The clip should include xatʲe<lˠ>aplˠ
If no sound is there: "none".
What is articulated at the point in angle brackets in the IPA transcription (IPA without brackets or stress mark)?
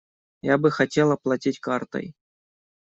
lˠ